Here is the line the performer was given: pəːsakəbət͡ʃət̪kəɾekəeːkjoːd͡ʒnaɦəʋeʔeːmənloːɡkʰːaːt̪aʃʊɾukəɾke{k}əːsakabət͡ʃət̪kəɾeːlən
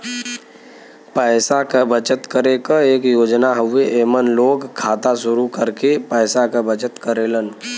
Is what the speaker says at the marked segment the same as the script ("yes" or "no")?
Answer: no